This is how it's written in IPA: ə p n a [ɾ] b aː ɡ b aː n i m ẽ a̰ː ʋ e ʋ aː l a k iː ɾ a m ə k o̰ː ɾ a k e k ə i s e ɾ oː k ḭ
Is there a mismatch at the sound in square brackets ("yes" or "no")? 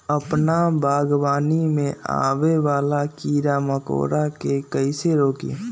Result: yes